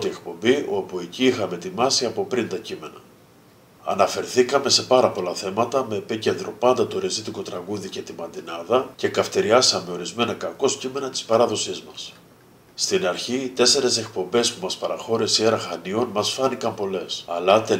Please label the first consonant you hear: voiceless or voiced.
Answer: voiceless